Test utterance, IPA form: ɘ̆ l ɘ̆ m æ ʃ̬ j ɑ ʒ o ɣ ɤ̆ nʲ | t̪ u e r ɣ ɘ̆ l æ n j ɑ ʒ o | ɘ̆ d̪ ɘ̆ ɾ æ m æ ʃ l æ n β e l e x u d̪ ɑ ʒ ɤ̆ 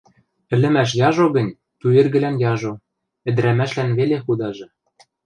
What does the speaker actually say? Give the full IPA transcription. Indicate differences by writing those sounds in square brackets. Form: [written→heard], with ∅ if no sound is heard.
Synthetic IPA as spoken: ɘ̆ l ɘ̆ m æ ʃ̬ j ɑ ʒ o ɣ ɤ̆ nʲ | t̪ u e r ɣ ɘ̆ l æ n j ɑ ʒ o | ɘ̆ d̪ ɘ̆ ɾ æ m æ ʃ l æ n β e l e x u d̪ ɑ ʒ ɤ̆